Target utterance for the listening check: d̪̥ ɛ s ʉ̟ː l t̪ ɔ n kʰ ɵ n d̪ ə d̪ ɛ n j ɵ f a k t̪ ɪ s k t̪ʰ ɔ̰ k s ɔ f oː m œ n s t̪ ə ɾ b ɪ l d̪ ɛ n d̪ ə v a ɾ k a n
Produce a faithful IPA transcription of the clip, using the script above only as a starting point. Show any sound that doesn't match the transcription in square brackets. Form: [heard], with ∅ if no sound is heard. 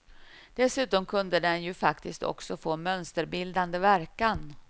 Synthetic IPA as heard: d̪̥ ɛ s ʉ̟ː [∅] t̪ ɔ [m] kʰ ɵ n d̪ ə d̪ ɛ n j ɵ f a k t̪ ɪ s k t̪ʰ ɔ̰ k s ɔ f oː m œ n s t̪ ə ɾ b ɪ l d̪ [a] n d̪ ə v [æ] ɾ k a n